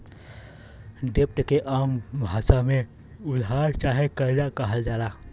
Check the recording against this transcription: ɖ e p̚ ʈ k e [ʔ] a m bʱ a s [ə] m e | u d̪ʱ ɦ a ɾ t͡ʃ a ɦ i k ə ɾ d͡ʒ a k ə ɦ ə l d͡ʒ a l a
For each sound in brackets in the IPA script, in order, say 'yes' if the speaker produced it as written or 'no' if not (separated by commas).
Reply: yes, no